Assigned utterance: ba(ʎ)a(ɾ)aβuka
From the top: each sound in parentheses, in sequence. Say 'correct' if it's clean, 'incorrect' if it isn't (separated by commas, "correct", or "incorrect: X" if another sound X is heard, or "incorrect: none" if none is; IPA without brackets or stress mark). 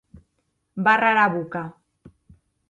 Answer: incorrect: r, correct